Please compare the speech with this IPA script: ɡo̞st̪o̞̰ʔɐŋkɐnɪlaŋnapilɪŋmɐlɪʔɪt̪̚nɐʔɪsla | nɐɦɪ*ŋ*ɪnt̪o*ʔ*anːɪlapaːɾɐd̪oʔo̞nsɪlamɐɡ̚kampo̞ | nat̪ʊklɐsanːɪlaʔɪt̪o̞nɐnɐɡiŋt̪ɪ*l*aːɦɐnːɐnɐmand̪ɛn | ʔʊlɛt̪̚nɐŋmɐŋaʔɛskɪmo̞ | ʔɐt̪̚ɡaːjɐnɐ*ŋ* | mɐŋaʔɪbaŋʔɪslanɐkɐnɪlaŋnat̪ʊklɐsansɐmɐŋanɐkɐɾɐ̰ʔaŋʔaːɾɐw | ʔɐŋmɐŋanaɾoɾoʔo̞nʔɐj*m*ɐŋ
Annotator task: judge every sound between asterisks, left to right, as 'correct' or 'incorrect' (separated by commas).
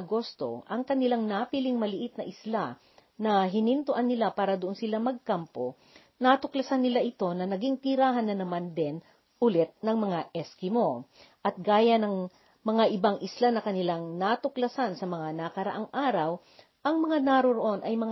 incorrect, correct, incorrect, correct, correct